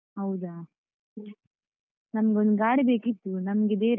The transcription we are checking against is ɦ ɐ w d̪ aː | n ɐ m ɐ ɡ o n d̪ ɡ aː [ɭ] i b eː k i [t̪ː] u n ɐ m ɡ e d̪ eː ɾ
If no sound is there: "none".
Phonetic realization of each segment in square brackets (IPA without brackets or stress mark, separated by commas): ɽ, t̪ː